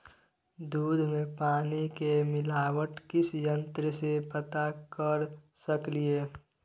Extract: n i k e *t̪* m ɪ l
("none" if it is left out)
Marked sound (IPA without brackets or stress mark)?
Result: none